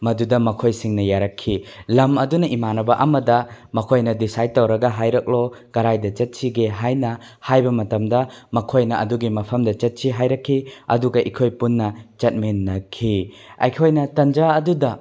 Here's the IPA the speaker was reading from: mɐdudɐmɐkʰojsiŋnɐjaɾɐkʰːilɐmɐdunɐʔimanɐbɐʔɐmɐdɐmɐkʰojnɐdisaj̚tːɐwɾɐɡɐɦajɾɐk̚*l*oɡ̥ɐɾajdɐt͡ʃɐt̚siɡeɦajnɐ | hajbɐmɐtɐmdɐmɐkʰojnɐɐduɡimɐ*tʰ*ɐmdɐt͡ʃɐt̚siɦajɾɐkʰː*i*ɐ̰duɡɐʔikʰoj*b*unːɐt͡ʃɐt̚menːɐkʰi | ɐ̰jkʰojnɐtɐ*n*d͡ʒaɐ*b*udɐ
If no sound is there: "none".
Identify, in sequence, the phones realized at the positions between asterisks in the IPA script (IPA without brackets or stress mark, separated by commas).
l, pʰ, i, p, n, d